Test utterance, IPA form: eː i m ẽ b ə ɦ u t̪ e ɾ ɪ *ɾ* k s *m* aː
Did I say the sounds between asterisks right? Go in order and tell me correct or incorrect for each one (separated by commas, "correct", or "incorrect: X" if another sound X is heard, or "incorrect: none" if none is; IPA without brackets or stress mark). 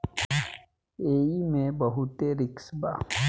incorrect: none, incorrect: b